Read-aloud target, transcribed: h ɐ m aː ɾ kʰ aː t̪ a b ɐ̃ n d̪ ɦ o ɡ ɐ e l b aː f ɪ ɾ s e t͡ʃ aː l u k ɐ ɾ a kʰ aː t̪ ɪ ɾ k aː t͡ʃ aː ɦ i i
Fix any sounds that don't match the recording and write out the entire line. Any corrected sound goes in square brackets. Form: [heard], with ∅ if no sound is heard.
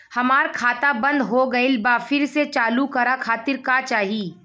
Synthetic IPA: h ɐ m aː ɾ kʰ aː t̪ a b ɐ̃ n d̪ ɦ o ɡ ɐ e l b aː f ɪ ɾ s e t͡ʃ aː l u k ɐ ɾ a kʰ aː t̪ ɪ ɾ k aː t͡ʃ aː ɦ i i